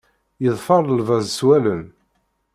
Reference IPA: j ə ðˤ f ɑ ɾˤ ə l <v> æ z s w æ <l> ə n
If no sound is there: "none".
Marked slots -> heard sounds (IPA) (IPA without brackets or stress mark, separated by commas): v, l